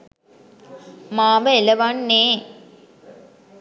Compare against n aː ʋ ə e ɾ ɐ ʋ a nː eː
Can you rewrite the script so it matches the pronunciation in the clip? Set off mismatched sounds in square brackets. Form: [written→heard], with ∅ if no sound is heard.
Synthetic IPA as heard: [n→m] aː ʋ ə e [ɾ→l] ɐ ʋ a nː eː

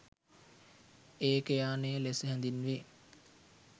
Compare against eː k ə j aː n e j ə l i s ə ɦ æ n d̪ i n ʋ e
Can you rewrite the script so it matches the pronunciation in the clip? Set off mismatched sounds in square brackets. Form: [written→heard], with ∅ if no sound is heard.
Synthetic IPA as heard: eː k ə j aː n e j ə l [i→e] s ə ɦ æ n d̪ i n ʋ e

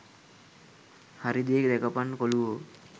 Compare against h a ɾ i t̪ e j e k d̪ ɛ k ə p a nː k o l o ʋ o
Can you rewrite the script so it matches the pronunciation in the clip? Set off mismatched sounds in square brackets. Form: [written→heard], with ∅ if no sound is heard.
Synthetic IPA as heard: h a ɾ i [t̪→d̪] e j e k d̪ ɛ k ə p a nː k o l [o→u] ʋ o

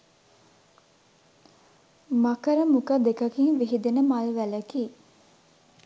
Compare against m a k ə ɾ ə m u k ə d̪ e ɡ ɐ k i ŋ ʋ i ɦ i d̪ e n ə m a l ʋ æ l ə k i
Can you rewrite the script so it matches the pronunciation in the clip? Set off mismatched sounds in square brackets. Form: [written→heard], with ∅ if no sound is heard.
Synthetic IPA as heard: m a k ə ɾ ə m u k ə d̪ e [ɡ→k] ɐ k i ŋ ʋ i ɦ i d̪ e n ə m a l ʋ æ l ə k i

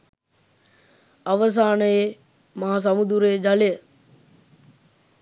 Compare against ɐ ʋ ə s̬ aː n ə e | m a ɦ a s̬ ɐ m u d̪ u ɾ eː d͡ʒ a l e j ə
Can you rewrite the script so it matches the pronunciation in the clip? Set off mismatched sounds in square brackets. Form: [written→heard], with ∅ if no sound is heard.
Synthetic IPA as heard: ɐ ʋ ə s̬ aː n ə e | m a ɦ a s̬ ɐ m u d̪ u ɾ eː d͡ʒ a l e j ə

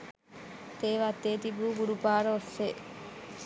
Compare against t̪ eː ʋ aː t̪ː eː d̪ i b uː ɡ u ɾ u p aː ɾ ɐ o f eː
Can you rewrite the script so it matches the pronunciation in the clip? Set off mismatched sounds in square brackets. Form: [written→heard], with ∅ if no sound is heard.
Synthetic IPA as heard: t̪ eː ʋ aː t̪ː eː [d̪→t̪] i b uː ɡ u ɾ u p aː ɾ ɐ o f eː

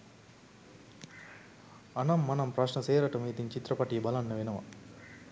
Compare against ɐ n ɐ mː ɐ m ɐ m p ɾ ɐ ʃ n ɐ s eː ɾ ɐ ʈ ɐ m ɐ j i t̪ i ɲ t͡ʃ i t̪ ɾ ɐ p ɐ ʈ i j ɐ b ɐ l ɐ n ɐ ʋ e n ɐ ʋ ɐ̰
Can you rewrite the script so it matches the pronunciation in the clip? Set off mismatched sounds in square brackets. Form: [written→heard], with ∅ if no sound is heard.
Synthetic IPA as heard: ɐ n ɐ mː ɐ [m→n] ɐ m p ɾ ɐ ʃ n ɐ s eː ɾ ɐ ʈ ɐ m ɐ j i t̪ i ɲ t͡ʃ i t̪ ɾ ɐ p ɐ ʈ i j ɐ b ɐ l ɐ [n→nː] ɐ ʋ e n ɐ ʋ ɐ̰

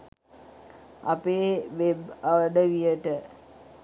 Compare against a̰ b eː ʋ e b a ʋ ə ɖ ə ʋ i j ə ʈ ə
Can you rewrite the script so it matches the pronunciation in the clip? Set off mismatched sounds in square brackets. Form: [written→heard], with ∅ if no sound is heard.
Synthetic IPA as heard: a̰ [b→p] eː ʋ e b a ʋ ə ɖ ə ʋ i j ə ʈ ə

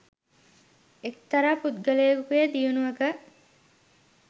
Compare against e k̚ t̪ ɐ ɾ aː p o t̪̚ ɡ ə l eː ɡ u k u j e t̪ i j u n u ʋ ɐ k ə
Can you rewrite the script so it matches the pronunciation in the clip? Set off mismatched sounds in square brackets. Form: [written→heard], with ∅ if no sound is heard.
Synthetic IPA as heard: e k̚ t̪ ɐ ɾ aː p [o→u] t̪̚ ɡ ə l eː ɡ u k u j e [t̪→d̪] i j u n u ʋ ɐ k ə

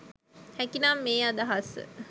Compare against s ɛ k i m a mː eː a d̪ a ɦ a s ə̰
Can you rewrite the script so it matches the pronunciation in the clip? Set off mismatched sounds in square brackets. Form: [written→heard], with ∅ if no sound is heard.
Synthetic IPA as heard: [s→h] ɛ k i [m→n] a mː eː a d̪ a ɦ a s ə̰

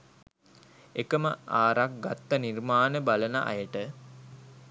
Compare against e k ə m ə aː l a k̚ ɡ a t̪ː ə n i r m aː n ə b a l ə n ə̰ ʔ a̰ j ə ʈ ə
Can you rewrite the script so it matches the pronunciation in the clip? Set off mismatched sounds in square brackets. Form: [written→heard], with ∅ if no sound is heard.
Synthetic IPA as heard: e k ə m ə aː [l→ɾ] a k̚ ɡ a t̪ː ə n i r m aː n ə b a l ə n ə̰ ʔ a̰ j ə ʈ ə

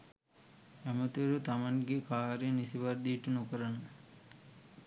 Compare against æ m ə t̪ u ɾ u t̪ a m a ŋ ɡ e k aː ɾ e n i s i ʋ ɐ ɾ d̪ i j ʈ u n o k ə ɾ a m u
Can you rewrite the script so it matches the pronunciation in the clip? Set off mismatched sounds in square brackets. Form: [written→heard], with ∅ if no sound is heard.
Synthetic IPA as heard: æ m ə t̪ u ɾ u t̪ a m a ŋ ɡ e k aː ɾ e n i s i ʋ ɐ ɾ d̪ i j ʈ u n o k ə ɾ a [m→n] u

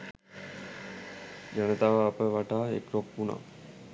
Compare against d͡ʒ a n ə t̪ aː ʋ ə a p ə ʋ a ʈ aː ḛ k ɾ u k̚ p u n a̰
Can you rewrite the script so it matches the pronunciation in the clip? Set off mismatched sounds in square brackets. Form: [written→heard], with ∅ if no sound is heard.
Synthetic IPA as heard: d͡ʒ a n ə t̪ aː ʋ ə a p ə ʋ a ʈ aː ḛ k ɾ [u→o] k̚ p u n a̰

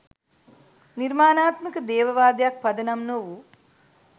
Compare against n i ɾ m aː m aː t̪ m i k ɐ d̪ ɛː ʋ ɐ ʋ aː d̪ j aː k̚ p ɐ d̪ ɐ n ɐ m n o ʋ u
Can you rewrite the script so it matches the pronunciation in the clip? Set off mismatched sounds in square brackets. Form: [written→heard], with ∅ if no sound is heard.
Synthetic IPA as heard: n i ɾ m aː [m→n] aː t̪ m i k ɐ d̪ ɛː ʋ ɐ ʋ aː d̪ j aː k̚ p ɐ d̪ ɐ n ɐ m n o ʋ u

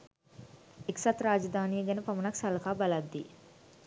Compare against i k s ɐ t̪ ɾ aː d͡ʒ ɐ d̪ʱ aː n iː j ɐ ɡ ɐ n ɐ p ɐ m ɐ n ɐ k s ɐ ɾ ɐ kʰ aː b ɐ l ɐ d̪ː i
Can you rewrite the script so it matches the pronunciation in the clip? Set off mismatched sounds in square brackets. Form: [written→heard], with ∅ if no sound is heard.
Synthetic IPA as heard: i k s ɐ t̪ ɾ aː d͡ʒ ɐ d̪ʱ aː n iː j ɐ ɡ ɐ n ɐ p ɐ m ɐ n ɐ k s ɐ [ɾ→l] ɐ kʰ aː b ɐ l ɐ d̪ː i

